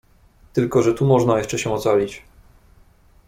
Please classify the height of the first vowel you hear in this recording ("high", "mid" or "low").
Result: mid